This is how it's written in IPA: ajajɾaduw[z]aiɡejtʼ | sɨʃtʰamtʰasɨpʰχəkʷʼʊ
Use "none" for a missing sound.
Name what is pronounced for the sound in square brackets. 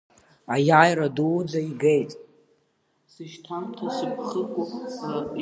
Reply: d͡z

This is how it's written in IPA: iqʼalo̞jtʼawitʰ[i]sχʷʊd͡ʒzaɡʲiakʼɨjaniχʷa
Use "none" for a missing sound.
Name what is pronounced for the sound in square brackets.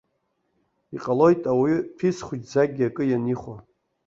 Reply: i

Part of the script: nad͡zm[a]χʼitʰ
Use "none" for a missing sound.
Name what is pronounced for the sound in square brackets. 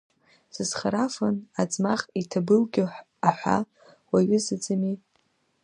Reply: a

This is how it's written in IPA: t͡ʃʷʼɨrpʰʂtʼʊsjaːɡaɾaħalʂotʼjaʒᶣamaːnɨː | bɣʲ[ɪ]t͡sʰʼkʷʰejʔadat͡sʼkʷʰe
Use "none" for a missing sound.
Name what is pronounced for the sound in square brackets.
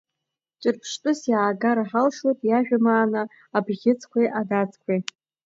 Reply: ɪ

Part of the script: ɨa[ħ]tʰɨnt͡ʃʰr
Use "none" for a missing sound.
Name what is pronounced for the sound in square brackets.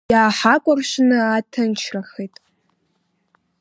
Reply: none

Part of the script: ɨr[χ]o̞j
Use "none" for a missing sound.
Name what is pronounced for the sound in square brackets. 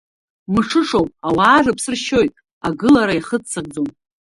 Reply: ʃ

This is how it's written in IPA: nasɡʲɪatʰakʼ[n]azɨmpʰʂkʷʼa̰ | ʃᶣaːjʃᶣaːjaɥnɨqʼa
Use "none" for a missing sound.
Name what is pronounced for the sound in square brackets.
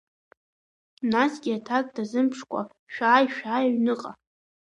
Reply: d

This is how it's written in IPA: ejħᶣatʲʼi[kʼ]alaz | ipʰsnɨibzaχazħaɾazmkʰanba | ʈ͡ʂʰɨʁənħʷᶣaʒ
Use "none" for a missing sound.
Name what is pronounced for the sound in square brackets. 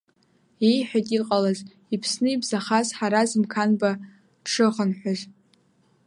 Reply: qʼ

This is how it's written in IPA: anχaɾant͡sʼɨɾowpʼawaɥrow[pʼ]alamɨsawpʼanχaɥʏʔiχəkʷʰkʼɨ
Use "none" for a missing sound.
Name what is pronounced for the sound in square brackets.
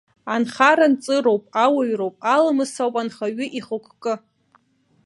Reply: pʼ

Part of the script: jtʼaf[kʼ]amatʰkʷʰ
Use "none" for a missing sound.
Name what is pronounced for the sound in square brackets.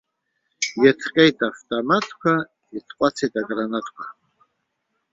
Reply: tʼ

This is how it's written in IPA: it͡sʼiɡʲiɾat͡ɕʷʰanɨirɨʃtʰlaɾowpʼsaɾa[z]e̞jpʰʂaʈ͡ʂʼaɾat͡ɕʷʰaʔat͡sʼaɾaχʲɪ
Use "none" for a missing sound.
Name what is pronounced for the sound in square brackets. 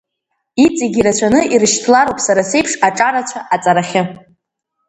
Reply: s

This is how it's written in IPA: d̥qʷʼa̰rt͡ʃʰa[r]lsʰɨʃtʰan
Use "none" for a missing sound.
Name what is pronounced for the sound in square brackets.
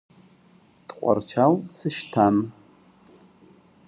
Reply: none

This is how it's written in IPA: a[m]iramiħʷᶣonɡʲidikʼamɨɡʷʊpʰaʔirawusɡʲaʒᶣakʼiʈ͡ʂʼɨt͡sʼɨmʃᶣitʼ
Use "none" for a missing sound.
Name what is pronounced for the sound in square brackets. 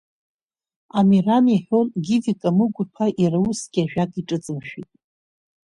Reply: m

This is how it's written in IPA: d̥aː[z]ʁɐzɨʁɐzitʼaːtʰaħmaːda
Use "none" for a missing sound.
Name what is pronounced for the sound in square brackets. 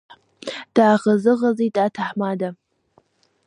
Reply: none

